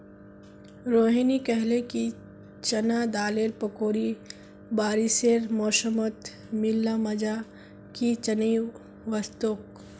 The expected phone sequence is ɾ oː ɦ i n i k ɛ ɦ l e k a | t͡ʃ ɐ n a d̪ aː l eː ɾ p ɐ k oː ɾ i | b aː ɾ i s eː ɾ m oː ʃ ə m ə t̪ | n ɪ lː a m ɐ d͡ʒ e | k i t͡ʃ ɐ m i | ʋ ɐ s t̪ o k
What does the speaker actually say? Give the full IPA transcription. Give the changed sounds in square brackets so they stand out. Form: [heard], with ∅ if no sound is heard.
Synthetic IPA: ɾ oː ɦ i n i k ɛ ɦ l e k [i] | t͡ʃ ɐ n a d̪ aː l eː ɾ p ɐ k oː ɾ i | b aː ɾ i s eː ɾ m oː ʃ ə m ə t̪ | [m] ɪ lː a m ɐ d͡ʒ [a] | k i t͡ʃ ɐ [n] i | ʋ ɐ s t̪ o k